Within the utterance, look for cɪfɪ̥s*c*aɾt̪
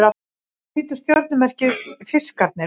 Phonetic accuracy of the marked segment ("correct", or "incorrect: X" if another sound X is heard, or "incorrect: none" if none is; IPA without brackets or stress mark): incorrect: k